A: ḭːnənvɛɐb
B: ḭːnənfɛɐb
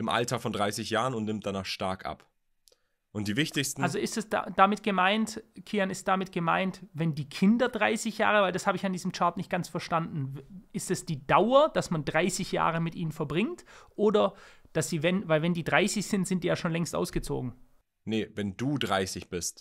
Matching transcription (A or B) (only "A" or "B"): B